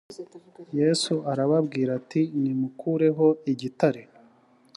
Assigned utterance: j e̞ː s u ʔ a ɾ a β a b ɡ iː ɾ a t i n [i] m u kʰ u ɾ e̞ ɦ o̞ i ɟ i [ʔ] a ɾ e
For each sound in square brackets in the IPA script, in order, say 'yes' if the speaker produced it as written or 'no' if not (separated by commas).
yes, no